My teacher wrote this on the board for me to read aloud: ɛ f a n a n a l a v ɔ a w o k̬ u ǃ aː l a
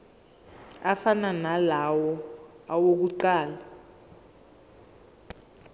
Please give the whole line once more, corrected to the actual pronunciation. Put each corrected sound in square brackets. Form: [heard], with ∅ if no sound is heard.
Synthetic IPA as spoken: [a] f a n a n a l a [w] ɔ a w o k̬ u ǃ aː l a